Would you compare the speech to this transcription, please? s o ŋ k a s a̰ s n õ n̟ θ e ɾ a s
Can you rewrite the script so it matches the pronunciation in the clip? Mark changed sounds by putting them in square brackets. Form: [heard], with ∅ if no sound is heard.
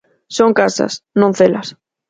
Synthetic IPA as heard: s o ŋ k a s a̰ s n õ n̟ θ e [l] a s